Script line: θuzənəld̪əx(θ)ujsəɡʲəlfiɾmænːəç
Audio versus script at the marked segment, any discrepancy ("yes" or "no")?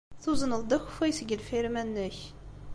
yes